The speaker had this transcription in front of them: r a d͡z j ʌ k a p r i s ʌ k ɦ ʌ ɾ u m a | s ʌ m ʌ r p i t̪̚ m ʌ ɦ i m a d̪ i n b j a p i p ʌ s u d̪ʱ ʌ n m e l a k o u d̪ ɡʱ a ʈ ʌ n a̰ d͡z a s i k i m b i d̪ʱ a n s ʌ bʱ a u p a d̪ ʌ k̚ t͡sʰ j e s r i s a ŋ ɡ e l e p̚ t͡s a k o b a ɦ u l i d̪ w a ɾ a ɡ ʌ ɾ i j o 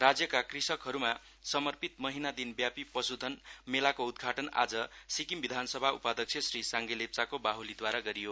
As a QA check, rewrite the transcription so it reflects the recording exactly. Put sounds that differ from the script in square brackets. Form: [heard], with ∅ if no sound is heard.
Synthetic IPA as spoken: r a d͡z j ʌ k a [k] r i s ʌ k ɦ ʌ ɾ u m a | s ʌ m ʌ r p i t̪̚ m ʌ ɦ i [n] a d̪ i n b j a p i p ʌ s u d̪ʱ ʌ n m e l a k o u d̪ ɡʱ a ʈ ʌ n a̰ d͡z [ʌ] s i k i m b i d̪ʱ a n s ʌ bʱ a u p a d̪ ʌ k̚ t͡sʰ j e s r i s a ŋ ɡ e l e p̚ t͡s a k o b a ɦ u l i d̪ w a ɾ a ɡ ʌ ɾ i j o

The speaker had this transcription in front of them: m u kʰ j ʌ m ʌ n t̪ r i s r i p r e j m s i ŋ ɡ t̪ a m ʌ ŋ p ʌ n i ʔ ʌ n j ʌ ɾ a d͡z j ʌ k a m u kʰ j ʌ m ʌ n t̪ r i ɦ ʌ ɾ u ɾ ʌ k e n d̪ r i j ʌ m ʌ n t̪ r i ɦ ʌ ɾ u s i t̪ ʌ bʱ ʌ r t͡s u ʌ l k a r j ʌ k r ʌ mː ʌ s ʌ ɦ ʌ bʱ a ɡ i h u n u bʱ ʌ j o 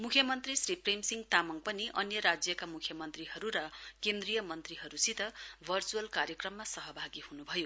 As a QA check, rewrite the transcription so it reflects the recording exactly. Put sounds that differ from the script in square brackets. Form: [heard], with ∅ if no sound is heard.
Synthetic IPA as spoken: m u kʰ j ʌ m ʌ n t̪ r i s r i p r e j m s i ŋ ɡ t̪ a m ʌ ŋ p ʌ n i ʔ ʌ n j ʌ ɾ a d͡z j ʌ k a m u kʰ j ʌ m ʌ n t̪ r i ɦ ʌ ɾ u ɾ ʌ k e n d̪ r i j ʌ m ʌ n t̪ r i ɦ ʌ ɾ u s i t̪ ʌ bʱ ʌ r t͡s u ʌ l k a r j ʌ k r ʌ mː [a] s ʌ ɦ ʌ bʱ a ɡ i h u n u bʱ ʌ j o

